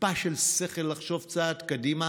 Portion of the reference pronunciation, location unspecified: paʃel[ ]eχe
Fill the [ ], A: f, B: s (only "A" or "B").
B